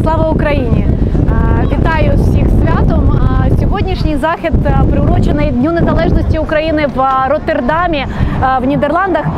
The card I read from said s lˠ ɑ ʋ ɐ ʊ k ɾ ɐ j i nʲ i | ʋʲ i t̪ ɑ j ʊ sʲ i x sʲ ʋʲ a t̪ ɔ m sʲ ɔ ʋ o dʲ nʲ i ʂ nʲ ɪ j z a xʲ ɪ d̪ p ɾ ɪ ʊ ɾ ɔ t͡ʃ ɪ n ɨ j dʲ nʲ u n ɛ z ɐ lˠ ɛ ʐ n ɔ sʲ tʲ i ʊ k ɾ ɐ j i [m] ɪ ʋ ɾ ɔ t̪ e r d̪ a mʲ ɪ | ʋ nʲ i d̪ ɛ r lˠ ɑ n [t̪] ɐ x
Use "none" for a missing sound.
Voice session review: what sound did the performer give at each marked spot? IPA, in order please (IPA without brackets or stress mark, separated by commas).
n, d̪